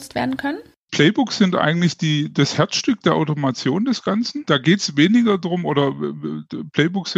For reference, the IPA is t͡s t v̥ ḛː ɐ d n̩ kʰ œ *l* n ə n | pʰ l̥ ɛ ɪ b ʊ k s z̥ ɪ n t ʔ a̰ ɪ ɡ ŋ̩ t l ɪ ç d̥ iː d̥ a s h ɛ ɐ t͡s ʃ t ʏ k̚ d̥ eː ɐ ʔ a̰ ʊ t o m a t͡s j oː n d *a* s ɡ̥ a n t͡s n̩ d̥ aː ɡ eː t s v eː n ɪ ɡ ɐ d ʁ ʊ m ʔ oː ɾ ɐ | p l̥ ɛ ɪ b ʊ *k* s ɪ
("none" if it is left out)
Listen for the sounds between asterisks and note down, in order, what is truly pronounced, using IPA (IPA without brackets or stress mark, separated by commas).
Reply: none, ɛ, k